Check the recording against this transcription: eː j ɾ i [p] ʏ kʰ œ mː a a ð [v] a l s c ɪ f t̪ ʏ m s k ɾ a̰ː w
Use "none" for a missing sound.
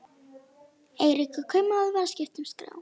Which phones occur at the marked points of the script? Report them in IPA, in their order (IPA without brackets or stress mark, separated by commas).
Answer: k, v